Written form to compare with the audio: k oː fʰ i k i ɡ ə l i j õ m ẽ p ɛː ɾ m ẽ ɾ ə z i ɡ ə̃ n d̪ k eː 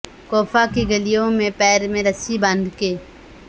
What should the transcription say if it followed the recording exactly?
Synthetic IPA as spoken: k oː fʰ a k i ɡ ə l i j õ m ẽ p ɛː ɾ m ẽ ɾ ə s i b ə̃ n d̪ k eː